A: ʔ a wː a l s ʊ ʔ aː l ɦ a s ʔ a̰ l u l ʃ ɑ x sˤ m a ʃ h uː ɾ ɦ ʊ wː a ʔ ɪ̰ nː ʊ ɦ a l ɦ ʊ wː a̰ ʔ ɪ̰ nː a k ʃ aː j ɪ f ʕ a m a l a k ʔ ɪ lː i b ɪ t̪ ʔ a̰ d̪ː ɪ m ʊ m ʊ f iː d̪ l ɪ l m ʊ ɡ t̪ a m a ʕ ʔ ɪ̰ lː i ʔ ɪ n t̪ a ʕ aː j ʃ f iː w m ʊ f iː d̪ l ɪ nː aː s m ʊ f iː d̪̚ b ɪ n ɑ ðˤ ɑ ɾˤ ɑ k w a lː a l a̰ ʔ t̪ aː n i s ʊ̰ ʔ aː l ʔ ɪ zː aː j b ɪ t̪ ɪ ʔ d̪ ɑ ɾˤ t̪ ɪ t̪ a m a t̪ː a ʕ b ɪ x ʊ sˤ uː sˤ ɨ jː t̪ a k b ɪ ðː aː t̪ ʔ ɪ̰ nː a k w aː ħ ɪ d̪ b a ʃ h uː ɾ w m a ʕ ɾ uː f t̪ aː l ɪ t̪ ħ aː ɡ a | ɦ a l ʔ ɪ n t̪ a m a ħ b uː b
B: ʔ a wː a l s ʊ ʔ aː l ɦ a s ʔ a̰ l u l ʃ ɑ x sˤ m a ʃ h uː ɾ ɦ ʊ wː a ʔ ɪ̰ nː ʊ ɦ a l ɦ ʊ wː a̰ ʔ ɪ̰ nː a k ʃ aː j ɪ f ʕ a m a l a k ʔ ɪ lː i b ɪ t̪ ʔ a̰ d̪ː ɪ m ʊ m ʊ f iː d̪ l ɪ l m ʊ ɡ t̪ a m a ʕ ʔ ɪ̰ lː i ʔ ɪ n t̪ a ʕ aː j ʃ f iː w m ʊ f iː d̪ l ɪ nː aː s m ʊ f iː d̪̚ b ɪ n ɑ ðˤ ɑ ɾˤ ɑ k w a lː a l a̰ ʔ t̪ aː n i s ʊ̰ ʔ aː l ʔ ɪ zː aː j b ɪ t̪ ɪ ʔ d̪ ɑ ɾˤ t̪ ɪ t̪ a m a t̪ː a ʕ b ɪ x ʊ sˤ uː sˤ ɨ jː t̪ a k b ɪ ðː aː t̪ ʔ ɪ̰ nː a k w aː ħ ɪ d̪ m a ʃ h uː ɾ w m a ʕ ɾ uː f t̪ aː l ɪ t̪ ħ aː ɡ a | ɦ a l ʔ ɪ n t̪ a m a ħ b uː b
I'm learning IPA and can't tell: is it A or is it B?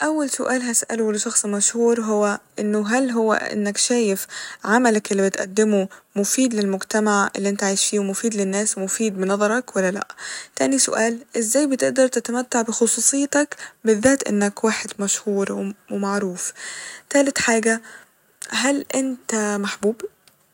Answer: B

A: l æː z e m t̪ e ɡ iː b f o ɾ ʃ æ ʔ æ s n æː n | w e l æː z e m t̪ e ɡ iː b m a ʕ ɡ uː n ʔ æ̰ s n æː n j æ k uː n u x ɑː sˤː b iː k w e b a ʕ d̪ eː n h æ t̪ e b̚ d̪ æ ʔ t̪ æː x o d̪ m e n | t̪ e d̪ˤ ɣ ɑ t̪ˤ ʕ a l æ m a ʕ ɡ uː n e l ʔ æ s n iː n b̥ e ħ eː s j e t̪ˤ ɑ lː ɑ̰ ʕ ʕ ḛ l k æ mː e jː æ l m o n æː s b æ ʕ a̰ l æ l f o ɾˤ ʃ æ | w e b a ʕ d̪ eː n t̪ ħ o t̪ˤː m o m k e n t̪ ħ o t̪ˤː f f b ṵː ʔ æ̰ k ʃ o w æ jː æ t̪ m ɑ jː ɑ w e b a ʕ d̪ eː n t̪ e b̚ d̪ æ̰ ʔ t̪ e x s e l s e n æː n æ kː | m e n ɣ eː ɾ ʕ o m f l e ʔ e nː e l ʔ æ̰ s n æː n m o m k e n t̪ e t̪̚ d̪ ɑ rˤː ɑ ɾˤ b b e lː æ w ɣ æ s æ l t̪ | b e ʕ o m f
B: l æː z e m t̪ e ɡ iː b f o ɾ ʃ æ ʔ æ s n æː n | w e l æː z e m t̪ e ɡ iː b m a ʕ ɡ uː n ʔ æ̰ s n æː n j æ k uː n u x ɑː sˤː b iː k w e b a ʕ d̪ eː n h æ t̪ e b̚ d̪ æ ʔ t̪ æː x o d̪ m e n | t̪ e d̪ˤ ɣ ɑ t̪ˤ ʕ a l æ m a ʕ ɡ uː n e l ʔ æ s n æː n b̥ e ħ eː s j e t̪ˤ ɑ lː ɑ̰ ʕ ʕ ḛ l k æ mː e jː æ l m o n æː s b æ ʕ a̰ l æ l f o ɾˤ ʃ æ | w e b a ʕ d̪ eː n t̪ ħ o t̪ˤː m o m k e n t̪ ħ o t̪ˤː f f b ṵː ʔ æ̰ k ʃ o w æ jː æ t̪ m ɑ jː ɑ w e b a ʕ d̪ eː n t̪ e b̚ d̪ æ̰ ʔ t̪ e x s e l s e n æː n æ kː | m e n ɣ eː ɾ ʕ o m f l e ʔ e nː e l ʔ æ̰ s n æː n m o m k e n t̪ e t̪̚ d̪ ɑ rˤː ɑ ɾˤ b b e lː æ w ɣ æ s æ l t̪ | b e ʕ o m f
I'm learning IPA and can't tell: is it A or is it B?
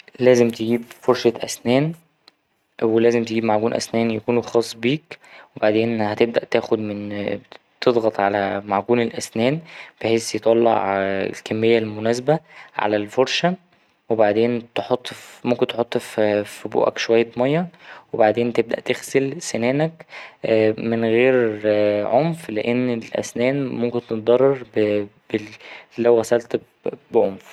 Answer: B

